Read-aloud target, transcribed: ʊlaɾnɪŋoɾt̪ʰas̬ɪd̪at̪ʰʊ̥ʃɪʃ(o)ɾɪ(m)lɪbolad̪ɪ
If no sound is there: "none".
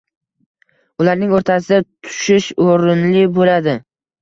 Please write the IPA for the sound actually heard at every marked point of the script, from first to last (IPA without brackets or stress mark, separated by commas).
o, n